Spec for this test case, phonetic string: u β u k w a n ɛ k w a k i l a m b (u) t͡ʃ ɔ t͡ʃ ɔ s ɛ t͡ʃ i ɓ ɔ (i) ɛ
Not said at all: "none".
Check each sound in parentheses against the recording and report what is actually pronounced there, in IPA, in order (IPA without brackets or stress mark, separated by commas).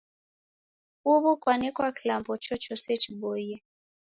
ɔ, j